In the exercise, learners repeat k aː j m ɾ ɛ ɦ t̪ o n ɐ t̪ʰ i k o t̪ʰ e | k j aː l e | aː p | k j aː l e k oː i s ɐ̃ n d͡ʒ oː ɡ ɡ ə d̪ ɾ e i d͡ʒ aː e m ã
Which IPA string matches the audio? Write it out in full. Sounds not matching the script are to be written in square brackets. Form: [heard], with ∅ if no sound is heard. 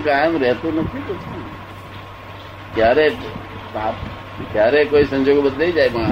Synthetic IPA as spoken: k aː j m ɾ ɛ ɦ t̪ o n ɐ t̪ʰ i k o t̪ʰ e | k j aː [ɾ] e | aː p | k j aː [ɾ] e k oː i s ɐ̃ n d͡ʒ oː ɡ [b] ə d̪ [l] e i d͡ʒ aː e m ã